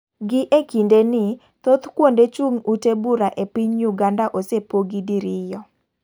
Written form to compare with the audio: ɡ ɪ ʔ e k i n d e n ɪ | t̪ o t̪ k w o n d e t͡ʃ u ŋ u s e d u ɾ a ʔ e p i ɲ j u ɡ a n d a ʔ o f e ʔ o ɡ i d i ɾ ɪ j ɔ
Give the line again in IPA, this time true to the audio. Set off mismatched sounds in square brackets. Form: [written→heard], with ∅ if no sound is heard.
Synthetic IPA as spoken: ɡ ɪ ʔ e k i n d e n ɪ | t̪ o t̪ k w o n d e t͡ʃ u ŋ u [s→t] e [d→b] u ɾ a ʔ e p i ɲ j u ɡ a n d a ʔ o [f→s] e [ʔ→p] o ɡ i d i ɾ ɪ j ɔ